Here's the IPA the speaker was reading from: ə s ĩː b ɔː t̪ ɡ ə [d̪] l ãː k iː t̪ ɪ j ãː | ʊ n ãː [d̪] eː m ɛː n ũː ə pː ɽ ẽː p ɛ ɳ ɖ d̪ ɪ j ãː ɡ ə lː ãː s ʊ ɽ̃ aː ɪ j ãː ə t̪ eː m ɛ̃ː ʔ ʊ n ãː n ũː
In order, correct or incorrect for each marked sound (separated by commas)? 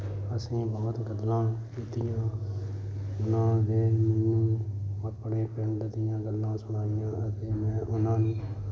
correct, correct